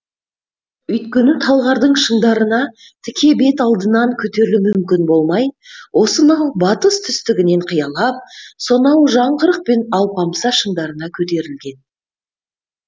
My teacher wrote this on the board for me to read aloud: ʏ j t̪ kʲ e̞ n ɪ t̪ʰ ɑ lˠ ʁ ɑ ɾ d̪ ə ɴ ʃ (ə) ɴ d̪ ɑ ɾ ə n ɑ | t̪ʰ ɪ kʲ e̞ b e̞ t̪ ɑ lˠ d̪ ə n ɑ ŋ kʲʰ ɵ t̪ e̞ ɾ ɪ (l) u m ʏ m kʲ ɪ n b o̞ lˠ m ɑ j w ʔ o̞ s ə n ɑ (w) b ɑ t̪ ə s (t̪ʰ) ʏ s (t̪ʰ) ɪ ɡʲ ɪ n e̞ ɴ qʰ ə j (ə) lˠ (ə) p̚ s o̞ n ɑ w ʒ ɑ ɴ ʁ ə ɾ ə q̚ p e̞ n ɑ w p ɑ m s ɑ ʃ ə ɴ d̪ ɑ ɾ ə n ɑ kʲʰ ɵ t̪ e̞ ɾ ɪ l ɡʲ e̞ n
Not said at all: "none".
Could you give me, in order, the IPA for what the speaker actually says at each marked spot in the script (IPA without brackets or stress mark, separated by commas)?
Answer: ə, l, w, t̪ʰ, t̪, ɑ, ɑ